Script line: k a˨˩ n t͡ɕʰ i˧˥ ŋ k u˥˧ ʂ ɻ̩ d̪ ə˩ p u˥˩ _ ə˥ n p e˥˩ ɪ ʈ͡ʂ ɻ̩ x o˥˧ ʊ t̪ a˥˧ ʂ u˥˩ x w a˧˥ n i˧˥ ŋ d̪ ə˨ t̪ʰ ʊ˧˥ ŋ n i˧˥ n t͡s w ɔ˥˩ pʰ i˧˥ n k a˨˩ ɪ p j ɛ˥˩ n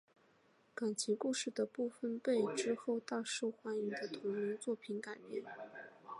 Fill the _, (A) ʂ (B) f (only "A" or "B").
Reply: B